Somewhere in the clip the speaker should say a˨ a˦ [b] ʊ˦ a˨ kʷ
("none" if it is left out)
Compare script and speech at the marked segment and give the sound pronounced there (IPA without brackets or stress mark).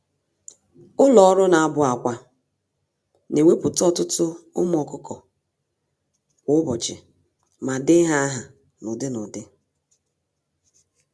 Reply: b